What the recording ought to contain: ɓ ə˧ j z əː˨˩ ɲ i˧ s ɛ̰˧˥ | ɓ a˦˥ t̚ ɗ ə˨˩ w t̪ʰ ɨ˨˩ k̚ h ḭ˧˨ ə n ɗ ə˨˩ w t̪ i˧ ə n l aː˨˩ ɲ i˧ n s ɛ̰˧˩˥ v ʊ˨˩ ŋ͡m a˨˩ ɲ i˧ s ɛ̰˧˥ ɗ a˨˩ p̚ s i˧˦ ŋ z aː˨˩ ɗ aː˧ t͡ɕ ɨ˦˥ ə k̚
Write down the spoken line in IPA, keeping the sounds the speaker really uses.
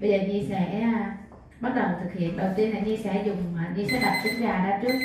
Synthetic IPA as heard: ɓ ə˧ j z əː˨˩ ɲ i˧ s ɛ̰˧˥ | ɓ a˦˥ t̚ ɗ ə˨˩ w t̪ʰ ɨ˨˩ k̚ h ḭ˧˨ ə n ɗ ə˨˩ w t̪ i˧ ə n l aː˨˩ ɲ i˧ s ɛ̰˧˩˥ z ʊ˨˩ ŋ͡m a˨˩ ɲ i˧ s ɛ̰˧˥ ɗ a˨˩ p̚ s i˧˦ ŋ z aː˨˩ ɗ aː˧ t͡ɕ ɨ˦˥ ə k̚